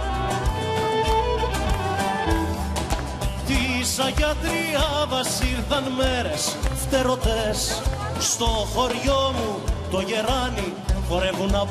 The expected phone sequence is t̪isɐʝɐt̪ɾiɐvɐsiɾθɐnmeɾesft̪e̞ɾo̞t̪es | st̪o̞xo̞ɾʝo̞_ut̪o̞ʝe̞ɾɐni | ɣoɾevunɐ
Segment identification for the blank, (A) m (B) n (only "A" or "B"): A